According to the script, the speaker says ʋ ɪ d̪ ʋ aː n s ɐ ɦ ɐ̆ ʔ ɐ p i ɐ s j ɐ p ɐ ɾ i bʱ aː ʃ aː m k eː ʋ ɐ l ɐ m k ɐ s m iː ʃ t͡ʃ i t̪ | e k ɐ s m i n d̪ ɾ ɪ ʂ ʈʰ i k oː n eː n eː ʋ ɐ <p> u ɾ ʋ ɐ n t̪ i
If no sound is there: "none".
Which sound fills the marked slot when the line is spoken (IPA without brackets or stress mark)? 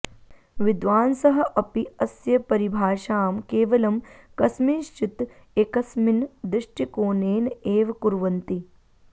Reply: k